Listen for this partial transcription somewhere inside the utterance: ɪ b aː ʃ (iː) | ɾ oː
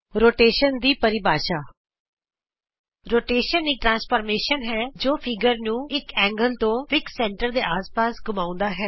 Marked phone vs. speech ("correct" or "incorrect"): incorrect